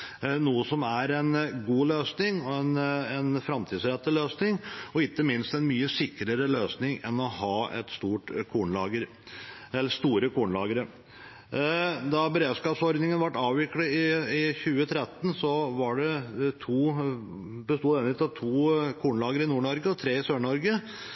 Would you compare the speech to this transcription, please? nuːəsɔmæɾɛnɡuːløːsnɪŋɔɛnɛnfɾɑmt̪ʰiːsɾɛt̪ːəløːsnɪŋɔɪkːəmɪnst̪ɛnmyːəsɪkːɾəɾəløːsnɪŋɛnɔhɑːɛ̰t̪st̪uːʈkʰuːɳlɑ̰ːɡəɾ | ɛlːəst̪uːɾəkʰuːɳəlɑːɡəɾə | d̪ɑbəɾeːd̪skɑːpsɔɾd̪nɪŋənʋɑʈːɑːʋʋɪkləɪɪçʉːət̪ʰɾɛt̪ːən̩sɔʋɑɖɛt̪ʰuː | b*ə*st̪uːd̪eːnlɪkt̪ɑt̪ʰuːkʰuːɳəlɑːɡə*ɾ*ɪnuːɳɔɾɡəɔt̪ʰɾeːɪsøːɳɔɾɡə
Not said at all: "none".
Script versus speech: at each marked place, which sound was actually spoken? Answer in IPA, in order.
ə, ɾ

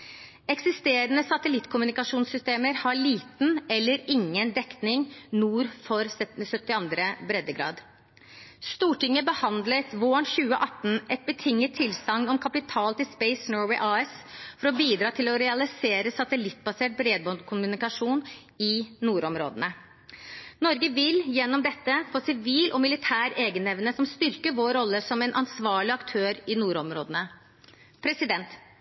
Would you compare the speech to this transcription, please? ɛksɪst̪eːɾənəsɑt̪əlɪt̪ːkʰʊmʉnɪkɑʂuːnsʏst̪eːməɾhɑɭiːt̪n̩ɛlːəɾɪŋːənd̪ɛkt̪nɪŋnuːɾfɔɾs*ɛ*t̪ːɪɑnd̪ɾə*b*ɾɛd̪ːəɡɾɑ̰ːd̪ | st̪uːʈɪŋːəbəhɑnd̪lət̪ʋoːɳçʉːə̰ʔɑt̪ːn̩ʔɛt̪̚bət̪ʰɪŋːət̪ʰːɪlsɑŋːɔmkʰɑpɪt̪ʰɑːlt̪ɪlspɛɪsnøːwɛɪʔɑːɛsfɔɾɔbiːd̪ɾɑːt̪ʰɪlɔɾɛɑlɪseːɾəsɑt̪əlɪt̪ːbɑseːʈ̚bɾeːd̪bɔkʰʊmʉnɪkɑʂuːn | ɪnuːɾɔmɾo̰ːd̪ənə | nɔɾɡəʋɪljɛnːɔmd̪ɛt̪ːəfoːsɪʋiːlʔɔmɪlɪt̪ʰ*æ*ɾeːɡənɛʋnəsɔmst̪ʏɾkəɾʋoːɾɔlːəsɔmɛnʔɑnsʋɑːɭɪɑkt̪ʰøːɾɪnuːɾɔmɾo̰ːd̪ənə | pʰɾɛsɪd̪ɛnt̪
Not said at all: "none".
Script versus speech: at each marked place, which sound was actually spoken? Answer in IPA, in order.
œ, b, æː

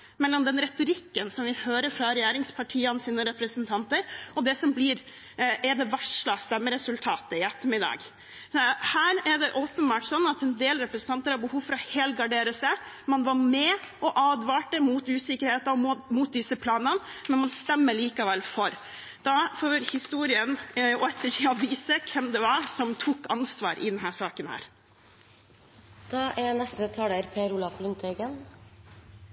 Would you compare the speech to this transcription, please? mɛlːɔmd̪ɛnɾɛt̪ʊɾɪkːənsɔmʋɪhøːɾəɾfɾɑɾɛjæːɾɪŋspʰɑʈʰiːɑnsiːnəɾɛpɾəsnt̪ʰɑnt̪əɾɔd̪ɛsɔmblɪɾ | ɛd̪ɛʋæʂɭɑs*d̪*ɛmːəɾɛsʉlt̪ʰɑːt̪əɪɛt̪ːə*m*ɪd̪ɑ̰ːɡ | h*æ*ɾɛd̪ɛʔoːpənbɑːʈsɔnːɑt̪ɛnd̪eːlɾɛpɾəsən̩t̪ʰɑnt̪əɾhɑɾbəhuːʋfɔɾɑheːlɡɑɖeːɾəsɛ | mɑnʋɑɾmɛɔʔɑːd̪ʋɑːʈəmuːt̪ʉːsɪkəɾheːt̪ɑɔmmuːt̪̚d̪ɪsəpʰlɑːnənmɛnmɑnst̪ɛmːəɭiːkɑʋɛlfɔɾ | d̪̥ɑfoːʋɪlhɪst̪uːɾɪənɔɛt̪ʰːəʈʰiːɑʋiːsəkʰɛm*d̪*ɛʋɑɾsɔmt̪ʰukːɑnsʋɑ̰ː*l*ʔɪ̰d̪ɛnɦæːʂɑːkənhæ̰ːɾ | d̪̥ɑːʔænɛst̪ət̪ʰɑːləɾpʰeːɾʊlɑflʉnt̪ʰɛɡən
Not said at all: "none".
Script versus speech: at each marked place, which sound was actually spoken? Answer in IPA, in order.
t̪, m, æː, d̪, ɾ

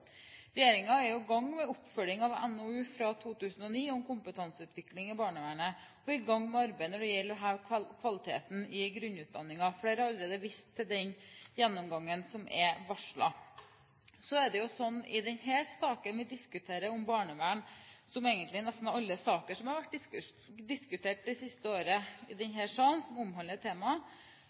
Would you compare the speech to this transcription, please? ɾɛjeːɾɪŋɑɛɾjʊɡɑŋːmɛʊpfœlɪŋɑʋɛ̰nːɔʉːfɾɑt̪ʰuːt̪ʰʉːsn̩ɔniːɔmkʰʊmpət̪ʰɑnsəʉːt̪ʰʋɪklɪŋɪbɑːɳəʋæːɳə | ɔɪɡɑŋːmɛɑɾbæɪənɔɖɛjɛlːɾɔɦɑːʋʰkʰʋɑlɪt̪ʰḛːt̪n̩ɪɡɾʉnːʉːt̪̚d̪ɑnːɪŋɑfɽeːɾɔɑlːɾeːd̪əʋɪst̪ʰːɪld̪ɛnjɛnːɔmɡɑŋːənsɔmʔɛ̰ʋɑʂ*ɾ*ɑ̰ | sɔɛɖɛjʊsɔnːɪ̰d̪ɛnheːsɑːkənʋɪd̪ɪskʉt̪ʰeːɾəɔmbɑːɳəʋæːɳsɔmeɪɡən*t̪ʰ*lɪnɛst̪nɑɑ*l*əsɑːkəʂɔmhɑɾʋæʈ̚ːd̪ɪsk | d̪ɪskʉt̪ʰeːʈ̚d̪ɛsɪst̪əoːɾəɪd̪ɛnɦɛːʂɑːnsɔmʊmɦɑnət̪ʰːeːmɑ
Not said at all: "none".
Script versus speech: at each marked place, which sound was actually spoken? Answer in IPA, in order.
ɭ, t̪, lː

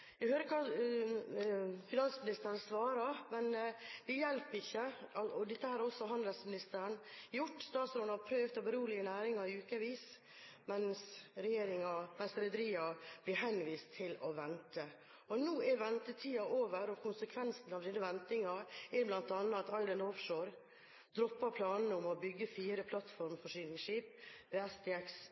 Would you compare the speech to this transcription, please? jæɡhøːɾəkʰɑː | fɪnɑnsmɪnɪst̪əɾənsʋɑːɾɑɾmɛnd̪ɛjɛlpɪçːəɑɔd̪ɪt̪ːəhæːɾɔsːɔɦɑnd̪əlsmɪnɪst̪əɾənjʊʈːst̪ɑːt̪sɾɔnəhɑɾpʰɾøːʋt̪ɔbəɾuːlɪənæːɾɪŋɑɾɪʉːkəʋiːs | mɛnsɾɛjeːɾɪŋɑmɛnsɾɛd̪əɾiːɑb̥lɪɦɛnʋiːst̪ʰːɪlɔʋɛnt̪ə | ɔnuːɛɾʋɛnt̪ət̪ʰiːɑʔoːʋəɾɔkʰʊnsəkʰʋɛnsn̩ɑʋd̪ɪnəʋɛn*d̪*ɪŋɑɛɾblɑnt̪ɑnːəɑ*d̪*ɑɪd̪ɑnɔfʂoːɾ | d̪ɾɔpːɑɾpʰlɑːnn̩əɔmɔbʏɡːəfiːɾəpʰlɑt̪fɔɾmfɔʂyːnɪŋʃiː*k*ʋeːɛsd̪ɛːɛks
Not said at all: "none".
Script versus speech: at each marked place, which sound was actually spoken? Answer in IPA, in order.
t̪, t̪, p

